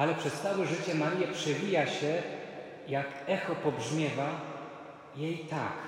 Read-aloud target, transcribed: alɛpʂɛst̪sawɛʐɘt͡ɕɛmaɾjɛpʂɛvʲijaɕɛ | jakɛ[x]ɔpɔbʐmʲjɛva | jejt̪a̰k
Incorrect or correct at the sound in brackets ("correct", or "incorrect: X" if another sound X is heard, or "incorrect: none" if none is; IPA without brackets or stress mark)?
correct